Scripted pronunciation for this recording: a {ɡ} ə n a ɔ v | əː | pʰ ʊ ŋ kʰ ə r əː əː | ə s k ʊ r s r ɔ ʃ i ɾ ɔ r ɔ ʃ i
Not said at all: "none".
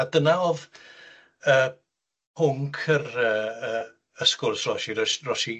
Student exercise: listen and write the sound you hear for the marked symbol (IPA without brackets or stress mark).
d